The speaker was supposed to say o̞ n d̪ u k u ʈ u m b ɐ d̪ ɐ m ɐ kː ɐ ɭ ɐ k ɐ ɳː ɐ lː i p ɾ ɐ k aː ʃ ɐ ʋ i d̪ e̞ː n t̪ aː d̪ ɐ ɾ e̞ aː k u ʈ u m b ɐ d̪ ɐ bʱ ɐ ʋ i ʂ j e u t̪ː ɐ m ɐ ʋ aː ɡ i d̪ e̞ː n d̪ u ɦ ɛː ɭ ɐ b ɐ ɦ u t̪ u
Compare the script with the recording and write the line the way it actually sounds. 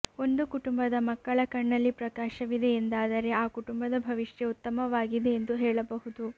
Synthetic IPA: o̞ n d̪ u k u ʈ u m b ɐ d̪ ɐ m ɐ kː ɐ ɭ ɐ k ɐ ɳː ɐ lː i p ɾ ɐ k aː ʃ ɐ ʋ i d̪ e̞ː n d̪ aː d̪ ɐ ɾ e̞ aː k u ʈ u m b ɐ d̪ ɐ bʱ ɐ ʋ i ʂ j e u t̪ː ɐ m ɐ ʋ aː ɡ i d̪ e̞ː n d̪ u ɦ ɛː ɭ ɐ b ɐ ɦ u d̪ u